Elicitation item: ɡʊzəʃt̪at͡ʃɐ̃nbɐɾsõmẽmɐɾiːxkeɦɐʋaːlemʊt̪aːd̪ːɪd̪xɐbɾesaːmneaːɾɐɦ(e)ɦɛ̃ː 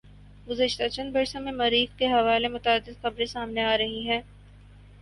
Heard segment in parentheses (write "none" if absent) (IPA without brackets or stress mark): i